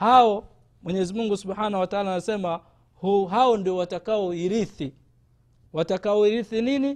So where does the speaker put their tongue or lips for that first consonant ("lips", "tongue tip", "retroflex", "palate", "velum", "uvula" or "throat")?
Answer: throat